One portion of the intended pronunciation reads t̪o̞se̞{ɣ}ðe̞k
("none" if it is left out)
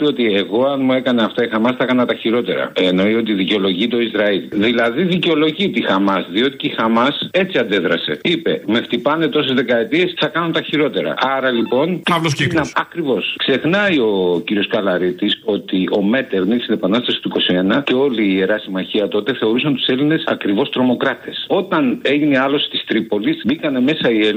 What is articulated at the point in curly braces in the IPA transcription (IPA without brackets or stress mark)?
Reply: z